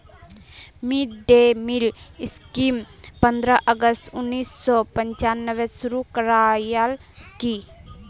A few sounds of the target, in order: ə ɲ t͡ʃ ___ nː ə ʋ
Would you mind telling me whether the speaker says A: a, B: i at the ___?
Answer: A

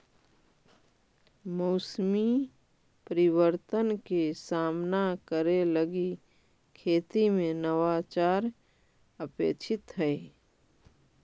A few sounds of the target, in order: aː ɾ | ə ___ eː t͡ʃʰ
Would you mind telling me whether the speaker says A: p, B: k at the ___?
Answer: A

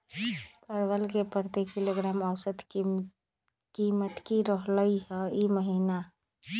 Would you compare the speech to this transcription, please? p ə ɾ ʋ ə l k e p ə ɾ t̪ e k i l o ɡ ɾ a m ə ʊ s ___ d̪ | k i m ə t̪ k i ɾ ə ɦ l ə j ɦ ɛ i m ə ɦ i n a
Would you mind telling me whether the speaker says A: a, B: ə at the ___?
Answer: B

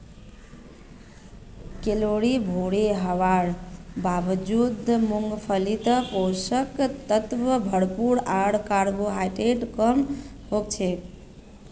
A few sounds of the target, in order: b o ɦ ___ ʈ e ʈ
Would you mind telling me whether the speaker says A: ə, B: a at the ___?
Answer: B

